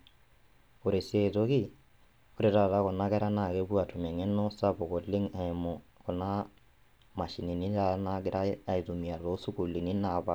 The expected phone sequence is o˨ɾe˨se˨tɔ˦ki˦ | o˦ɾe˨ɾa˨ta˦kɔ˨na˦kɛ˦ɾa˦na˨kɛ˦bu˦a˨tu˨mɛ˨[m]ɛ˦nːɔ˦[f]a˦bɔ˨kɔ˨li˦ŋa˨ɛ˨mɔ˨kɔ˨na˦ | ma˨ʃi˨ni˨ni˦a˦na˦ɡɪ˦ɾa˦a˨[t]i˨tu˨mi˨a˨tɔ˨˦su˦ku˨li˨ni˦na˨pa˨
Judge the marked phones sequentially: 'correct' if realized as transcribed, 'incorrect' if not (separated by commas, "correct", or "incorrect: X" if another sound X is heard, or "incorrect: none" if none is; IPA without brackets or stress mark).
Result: incorrect: ŋ, incorrect: s, incorrect: none